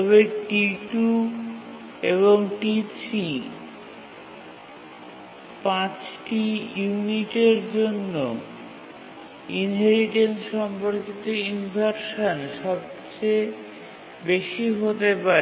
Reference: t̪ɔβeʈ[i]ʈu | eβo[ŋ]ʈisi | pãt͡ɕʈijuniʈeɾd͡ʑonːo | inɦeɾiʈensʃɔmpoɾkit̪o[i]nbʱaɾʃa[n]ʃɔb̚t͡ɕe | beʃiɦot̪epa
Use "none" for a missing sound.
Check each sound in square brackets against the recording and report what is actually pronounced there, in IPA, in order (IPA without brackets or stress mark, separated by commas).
i, ŋ, i, n